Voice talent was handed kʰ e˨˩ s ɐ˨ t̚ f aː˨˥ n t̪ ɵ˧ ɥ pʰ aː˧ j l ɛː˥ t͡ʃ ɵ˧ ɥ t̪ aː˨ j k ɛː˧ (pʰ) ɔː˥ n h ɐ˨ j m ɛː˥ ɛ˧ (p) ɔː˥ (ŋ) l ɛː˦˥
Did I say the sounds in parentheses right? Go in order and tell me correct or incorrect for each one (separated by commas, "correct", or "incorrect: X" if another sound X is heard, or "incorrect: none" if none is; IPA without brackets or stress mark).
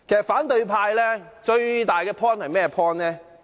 correct, incorrect: pʰ, incorrect: n